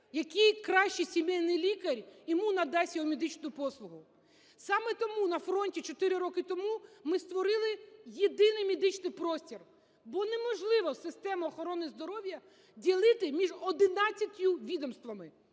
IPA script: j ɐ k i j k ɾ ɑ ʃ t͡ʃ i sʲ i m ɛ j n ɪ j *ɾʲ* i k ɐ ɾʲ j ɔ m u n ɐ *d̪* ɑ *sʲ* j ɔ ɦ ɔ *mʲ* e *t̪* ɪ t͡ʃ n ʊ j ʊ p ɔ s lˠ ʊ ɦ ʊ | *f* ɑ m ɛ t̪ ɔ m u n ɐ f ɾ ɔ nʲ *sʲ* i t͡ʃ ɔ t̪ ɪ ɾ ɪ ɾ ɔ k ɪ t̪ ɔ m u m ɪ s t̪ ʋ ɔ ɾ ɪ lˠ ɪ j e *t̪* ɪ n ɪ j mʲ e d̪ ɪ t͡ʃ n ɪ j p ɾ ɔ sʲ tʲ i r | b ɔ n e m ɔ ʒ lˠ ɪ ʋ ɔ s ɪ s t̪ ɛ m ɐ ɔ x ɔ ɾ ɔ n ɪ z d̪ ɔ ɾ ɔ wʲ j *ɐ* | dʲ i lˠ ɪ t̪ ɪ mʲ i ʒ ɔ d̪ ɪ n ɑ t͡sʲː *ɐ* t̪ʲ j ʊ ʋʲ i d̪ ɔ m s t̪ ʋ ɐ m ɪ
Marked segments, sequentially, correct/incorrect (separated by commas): incorrect, correct, correct, correct, incorrect, incorrect, incorrect, incorrect, correct, correct